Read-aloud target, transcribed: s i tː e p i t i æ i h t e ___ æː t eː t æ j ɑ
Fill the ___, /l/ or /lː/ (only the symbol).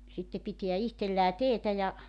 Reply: lː